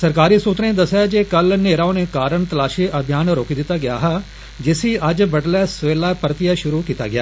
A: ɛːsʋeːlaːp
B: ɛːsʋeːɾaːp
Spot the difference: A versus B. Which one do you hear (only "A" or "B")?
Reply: A